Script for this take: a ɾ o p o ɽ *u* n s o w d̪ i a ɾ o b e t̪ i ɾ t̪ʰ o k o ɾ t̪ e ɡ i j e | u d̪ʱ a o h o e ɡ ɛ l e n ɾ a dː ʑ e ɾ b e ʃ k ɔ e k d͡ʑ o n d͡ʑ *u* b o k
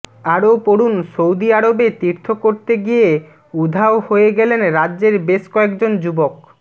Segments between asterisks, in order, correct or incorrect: correct, correct

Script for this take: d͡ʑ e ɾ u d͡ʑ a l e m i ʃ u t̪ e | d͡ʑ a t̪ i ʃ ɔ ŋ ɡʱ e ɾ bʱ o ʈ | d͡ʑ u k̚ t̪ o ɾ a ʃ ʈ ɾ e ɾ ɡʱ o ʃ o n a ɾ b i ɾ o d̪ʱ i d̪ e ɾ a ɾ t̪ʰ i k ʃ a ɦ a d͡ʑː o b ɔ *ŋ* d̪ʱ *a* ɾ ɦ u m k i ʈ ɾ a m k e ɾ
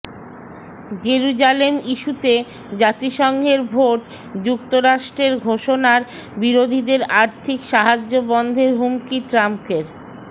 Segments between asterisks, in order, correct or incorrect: incorrect: n, incorrect: e

